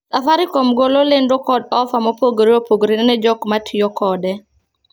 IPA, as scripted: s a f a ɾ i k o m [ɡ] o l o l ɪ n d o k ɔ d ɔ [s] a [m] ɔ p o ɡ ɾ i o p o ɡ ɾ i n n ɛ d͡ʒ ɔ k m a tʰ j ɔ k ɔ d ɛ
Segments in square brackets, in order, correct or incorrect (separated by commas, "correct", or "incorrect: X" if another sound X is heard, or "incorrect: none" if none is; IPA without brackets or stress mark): correct, incorrect: f, correct